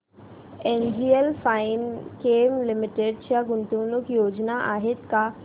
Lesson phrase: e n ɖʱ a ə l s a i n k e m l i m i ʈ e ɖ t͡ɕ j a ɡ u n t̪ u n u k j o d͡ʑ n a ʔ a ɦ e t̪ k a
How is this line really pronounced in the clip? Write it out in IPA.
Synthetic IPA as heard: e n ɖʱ i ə l f a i n k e m l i m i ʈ e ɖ t͡ɕ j a ɡ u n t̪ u n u k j o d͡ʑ n a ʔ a ɦ e t̪ k a